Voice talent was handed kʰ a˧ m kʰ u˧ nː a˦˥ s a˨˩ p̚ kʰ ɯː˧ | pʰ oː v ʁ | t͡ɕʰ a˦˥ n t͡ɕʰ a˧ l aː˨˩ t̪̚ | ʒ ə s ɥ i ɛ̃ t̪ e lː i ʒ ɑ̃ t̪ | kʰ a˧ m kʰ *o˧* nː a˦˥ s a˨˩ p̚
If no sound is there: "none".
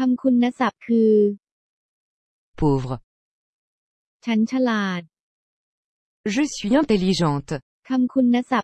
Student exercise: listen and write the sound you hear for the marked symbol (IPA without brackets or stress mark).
u˧